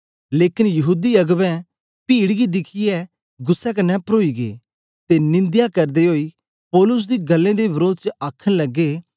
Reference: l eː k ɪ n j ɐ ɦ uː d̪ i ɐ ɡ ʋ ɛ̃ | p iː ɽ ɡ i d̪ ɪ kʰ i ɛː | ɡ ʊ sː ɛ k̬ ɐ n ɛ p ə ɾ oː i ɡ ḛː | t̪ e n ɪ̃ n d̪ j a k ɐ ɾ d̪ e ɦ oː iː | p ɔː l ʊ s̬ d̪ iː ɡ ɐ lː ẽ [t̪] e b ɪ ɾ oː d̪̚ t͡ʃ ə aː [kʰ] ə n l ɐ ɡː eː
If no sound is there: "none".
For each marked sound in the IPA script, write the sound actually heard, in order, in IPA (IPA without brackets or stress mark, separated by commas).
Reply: d̪, kʰ